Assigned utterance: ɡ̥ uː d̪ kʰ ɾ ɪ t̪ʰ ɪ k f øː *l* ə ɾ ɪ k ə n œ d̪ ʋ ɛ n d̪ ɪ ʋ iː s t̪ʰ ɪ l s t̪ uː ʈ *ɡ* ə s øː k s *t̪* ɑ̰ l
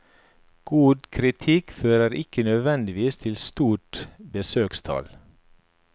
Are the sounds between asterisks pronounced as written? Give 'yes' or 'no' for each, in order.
no, no, no

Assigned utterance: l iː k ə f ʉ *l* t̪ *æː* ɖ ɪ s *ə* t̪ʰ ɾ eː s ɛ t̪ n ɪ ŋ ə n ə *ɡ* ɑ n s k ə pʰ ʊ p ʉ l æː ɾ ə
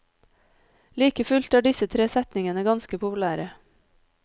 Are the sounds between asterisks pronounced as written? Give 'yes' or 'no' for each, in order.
yes, yes, yes, yes

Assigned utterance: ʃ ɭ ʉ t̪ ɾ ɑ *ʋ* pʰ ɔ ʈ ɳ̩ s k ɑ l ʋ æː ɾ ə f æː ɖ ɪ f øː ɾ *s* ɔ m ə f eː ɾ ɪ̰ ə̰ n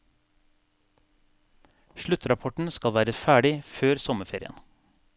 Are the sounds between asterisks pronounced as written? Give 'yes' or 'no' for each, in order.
no, yes

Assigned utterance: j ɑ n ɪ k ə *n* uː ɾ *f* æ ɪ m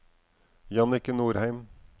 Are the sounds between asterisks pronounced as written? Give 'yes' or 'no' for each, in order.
yes, no

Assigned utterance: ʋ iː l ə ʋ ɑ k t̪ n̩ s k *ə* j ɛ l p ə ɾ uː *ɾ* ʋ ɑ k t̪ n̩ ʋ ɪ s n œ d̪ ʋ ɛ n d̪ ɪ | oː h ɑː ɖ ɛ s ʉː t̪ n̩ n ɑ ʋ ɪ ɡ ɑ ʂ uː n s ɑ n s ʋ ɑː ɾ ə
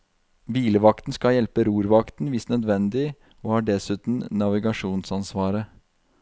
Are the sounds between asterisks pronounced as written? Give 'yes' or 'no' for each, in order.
no, yes

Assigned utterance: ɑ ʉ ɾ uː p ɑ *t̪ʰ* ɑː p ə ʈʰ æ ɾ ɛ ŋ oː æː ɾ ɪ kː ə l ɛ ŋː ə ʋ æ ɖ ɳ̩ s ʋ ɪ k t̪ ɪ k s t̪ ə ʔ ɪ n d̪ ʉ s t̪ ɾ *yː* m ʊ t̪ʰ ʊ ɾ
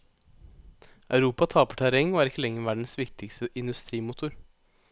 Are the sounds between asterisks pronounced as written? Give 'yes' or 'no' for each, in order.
yes, no

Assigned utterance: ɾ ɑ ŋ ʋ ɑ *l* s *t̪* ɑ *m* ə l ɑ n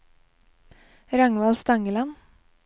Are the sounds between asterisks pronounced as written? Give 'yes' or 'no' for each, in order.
yes, yes, no

